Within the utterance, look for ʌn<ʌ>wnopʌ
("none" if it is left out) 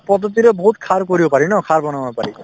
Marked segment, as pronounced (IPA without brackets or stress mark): a